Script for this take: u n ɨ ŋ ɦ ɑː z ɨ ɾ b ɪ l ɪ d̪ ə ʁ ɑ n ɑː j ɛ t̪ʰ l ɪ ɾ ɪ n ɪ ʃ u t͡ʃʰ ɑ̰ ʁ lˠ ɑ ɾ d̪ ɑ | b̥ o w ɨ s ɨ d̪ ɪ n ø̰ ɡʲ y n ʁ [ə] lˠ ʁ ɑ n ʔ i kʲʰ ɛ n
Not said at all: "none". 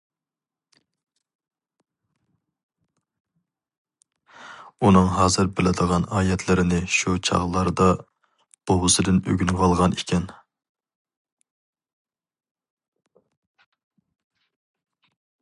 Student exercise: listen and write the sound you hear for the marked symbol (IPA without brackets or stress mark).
ɑ